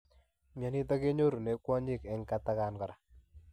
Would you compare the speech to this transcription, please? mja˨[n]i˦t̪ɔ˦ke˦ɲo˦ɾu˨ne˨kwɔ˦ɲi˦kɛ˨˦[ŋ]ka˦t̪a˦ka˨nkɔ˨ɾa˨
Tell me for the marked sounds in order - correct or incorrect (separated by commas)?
correct, correct